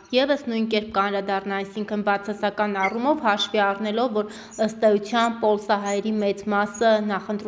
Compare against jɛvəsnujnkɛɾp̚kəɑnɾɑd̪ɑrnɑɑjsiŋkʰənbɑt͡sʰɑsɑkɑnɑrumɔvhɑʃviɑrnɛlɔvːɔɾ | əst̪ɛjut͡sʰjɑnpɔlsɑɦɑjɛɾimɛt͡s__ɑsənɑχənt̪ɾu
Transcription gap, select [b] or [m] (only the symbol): m